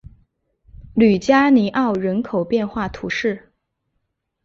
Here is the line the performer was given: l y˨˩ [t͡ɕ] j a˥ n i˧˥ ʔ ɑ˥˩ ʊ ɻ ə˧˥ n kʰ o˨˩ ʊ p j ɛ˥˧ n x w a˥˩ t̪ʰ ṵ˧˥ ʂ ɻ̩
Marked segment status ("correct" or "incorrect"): correct